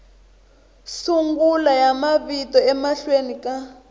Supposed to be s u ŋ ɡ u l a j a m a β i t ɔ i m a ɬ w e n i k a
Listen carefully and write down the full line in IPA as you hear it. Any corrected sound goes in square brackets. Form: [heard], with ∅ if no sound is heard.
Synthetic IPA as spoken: s u ŋ ɡ u l a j a m a β i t ɔ [ɛ] m a ɬ w e n i k a